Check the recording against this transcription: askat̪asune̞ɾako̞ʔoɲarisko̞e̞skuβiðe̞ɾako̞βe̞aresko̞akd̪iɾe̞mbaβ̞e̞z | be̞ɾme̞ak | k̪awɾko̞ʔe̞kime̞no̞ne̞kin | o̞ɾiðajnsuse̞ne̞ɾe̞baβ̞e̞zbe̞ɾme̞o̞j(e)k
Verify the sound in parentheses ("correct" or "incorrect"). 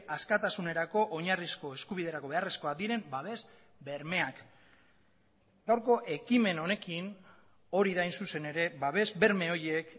correct